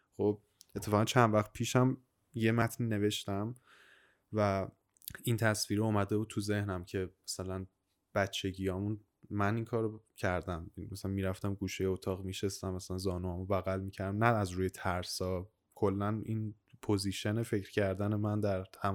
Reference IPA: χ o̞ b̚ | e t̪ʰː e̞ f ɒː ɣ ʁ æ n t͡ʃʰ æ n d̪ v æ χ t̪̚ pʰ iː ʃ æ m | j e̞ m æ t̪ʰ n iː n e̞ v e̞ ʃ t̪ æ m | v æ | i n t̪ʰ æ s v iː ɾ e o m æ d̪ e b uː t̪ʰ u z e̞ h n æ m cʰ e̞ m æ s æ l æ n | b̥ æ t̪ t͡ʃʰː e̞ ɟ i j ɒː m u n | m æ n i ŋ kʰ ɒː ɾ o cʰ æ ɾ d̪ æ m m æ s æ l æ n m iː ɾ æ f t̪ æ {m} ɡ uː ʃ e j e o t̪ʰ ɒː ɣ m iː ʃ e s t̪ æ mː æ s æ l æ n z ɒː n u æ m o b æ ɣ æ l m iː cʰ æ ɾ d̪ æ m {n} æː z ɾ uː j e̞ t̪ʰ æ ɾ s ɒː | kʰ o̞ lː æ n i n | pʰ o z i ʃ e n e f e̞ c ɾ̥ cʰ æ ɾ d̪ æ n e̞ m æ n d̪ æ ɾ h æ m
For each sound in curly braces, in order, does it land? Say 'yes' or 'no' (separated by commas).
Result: yes, yes